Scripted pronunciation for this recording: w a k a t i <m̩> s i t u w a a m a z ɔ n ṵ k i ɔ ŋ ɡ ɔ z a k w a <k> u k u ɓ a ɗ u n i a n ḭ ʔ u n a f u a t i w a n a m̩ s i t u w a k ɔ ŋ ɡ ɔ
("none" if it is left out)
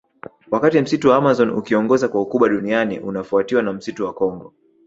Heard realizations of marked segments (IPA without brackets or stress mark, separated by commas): m̩, none